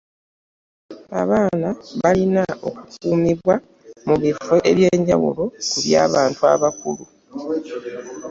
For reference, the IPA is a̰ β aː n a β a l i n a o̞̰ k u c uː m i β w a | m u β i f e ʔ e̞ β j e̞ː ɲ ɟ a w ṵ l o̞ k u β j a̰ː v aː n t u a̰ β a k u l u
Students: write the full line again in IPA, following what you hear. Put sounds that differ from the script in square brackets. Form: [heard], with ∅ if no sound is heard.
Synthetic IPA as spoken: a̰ β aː n a β a l i n a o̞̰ k u [k] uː m i β w a | m u β i f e ʔ e̞ β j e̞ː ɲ ɟ a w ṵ l o̞ k u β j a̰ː [β] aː n t u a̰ β a k u l u